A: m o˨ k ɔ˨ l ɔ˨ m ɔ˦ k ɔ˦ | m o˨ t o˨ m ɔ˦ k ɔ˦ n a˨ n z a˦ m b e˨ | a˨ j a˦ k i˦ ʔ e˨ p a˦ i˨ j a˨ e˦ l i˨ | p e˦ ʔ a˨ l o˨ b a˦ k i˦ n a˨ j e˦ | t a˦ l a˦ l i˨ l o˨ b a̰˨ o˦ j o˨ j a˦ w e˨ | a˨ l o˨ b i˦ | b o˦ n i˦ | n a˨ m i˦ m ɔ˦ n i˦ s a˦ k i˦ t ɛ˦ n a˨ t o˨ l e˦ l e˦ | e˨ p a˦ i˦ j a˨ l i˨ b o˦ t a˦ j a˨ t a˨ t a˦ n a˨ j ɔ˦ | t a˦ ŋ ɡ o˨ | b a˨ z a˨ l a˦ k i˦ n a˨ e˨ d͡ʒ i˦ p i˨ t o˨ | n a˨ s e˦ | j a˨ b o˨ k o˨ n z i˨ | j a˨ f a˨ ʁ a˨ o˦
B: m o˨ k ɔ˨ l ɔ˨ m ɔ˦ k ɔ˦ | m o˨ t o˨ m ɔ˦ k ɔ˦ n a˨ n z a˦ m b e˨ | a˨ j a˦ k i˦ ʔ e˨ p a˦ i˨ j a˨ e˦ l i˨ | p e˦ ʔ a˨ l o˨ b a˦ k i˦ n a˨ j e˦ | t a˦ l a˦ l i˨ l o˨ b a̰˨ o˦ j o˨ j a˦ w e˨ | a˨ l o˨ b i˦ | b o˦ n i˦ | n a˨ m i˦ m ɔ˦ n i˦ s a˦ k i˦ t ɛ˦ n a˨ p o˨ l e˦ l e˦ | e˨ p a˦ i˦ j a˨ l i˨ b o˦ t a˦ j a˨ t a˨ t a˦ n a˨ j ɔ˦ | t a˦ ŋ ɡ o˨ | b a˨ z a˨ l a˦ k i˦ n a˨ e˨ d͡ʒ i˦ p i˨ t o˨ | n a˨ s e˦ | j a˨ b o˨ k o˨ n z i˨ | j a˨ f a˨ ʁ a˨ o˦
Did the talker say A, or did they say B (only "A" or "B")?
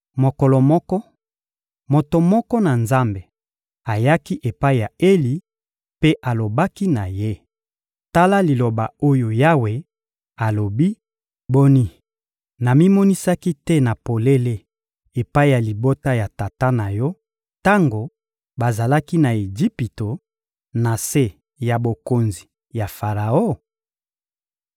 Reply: B